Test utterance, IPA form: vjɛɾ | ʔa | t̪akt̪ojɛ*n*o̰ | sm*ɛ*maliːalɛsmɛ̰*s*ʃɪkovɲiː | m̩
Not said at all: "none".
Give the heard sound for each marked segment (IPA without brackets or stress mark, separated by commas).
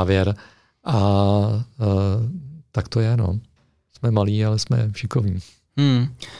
n, ɛ, f